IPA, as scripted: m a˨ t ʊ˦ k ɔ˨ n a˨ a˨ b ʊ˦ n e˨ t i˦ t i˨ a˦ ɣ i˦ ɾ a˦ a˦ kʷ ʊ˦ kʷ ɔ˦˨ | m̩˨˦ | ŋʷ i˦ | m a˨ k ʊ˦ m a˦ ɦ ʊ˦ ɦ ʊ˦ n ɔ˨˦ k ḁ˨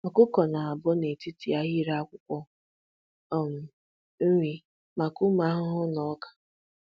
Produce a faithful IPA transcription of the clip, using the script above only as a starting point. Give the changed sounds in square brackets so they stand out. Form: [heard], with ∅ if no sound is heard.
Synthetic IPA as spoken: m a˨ [k] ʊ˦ k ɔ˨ n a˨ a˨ b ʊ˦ n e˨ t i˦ t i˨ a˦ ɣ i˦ ɾ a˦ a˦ kʷ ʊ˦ kʷ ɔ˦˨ | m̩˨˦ | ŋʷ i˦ | m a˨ k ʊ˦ m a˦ ɦ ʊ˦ ɦ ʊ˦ n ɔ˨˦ k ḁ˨